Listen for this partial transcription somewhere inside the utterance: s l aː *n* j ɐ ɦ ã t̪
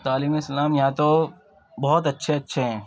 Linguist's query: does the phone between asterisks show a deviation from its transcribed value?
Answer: yes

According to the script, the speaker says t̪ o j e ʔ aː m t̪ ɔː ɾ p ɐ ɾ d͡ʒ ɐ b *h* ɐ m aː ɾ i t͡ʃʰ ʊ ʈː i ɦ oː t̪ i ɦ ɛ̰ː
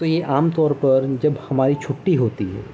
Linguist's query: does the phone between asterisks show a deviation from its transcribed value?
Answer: no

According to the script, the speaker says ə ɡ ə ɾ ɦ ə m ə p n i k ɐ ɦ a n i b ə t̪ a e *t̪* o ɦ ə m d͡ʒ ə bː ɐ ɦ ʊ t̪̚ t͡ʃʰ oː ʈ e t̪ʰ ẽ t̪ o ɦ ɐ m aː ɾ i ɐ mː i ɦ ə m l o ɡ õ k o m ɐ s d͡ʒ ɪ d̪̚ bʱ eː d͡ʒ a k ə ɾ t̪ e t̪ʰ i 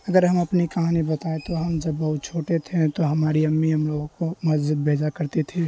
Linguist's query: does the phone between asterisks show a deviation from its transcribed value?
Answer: no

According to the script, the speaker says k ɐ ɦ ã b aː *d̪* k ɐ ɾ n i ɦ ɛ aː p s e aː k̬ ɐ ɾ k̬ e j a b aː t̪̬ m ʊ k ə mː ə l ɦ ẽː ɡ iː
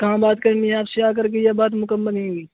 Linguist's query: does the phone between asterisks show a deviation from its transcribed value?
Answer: yes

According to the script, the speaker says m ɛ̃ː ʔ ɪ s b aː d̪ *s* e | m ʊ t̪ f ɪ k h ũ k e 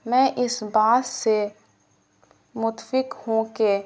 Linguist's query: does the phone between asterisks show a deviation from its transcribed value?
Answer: no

